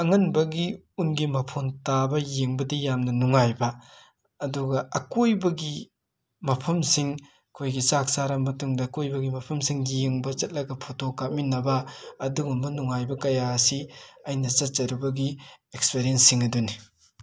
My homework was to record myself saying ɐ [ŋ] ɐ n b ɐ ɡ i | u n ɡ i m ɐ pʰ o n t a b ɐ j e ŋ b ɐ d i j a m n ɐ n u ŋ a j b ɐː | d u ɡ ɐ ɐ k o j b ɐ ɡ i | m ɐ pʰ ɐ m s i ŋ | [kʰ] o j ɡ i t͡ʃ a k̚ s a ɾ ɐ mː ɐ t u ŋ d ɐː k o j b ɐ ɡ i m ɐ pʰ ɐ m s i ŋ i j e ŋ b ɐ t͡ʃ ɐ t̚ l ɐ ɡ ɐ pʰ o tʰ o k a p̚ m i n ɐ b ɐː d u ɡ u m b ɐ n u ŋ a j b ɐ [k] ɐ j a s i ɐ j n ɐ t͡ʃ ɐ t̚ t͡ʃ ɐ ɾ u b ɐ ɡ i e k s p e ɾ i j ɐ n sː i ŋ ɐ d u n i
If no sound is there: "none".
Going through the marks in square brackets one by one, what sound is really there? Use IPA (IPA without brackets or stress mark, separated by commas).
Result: ŋ, kʰ, k